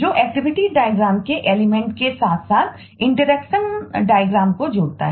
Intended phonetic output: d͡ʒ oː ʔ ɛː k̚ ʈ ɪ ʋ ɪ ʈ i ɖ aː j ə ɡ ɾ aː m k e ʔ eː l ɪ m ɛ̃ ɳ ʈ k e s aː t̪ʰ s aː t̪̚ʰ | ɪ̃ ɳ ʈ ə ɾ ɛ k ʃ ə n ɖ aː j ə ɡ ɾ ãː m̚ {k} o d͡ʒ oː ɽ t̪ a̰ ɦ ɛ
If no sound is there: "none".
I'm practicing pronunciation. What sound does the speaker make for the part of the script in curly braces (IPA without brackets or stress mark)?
k